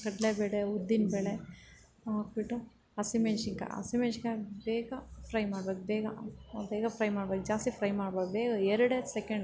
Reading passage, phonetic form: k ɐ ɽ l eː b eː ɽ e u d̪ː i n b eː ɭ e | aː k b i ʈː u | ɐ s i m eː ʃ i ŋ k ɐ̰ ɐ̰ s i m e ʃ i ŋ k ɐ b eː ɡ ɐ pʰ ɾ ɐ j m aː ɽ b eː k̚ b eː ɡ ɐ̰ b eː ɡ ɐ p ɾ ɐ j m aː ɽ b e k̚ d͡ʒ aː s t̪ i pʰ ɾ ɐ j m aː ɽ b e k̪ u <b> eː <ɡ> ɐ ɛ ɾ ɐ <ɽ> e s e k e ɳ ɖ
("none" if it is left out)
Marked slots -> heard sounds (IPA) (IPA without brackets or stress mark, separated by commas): b, ɡ, ɽ